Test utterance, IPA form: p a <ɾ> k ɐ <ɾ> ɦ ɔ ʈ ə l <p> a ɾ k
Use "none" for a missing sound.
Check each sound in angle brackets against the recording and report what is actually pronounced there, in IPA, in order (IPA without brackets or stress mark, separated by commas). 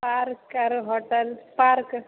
ɾ, ɾ, p